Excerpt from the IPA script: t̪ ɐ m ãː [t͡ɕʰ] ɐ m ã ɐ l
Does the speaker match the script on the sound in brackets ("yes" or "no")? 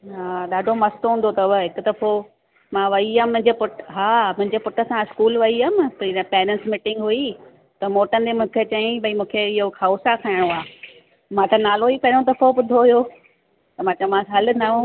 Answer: no